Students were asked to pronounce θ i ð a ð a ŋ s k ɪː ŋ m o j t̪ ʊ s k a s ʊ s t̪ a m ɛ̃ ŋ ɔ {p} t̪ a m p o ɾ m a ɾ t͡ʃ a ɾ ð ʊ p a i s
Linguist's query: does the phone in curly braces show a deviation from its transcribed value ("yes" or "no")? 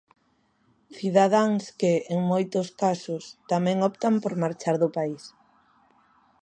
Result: no